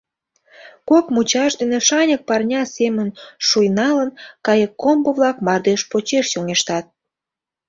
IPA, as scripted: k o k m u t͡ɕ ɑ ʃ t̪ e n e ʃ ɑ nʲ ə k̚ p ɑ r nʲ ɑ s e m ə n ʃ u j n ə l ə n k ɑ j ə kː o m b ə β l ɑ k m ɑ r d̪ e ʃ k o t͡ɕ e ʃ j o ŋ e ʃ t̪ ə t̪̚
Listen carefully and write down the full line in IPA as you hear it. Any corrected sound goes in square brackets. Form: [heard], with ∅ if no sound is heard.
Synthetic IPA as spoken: k o k m u t͡ɕ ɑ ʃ [d̪] e n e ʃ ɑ nʲ ə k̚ p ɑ r nʲ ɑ s e m ə n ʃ u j n [ɑ] l ə n k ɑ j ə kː o m b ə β l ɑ k m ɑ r d̪ e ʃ [p] o t͡ɕ e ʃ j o ŋ e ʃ t̪ [ɑ] t̪̚